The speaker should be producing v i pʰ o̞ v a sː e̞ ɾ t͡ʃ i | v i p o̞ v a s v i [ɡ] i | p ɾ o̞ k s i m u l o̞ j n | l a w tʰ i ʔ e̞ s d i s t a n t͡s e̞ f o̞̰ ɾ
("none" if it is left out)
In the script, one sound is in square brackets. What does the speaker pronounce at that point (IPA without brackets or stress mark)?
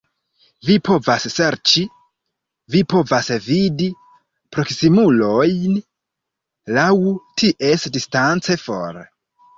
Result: d